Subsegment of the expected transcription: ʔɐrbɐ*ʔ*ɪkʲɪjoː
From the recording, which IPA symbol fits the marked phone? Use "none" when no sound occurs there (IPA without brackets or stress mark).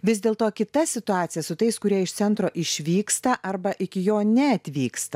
ʔ